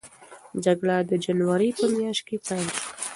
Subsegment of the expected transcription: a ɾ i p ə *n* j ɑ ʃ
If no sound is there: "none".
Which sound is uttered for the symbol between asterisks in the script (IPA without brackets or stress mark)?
m